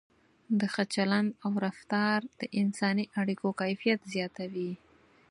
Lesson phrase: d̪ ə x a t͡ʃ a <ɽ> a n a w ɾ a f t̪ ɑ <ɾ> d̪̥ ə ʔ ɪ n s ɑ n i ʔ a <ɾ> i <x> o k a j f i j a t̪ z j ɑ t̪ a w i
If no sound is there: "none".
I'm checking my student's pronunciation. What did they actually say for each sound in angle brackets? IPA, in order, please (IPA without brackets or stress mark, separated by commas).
l, ɾ, ɽ, k